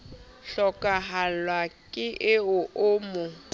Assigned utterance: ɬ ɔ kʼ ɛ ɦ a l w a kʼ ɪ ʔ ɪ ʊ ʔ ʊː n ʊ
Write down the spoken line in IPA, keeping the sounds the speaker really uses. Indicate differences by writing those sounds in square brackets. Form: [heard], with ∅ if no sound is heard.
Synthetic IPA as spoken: ɬ ɔ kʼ [a] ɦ a l w a kʼ ɪ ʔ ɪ ʊ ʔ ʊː [m] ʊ